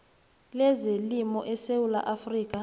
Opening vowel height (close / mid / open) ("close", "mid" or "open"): mid